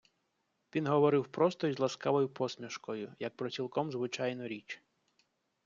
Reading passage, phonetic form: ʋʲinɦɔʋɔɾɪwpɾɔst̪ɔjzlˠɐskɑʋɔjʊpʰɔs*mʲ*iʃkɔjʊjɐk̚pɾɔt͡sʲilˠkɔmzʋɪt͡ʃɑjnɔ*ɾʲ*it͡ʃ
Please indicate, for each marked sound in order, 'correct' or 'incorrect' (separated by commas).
correct, correct